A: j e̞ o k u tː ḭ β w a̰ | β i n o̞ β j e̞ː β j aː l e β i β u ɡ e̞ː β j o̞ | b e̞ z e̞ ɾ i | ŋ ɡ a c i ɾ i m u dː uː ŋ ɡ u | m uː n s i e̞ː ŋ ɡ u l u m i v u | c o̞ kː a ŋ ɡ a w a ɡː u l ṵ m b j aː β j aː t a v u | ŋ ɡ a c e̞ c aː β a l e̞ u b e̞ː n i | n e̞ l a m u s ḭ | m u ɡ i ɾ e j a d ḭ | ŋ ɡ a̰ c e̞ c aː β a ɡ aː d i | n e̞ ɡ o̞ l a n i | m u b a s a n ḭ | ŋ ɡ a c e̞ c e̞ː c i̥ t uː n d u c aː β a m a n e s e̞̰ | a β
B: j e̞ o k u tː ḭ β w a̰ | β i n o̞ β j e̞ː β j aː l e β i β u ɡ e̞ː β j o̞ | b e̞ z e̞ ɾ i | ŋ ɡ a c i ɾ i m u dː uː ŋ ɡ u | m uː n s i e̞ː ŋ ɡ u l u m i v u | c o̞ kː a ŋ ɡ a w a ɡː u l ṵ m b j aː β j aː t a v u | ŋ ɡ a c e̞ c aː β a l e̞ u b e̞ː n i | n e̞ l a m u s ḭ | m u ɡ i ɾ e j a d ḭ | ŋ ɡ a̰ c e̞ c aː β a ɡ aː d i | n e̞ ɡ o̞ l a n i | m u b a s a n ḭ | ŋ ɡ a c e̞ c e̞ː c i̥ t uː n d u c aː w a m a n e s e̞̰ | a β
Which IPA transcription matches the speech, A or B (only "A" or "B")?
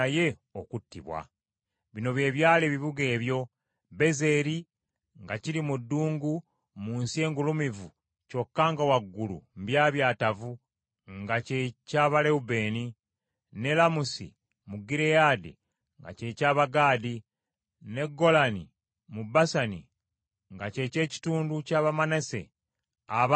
A